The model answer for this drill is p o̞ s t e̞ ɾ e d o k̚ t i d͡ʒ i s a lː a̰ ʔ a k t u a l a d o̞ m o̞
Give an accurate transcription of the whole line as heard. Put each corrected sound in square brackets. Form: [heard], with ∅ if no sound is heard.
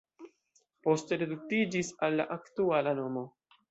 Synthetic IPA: p o̞ s t e̞ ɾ e d [u] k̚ t i d͡ʒ i s a lː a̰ ʔ a k t u a l a [n] o̞ m o̞